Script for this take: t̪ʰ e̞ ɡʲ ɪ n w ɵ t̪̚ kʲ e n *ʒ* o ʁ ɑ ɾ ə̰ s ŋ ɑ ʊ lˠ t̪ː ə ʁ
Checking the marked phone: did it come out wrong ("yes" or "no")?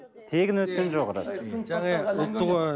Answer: no